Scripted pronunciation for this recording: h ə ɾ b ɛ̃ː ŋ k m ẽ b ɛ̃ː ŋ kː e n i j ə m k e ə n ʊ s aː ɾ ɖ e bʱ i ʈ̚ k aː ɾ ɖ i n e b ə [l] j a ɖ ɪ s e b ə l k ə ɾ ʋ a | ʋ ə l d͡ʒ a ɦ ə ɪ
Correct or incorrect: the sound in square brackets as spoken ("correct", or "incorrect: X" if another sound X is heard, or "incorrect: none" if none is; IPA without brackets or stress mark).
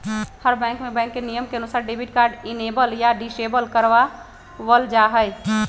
correct